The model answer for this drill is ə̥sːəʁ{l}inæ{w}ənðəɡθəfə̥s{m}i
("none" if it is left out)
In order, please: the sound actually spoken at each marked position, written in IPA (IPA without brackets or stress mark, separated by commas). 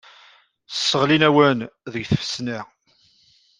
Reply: l, w, n